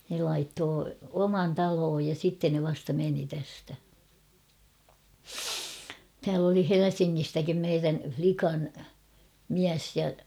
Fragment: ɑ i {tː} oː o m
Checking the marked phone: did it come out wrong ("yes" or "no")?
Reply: no